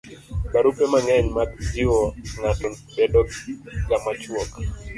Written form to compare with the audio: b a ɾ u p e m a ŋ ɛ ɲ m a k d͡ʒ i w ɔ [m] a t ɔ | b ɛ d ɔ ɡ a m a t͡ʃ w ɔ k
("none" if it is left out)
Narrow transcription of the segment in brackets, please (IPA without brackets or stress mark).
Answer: ŋ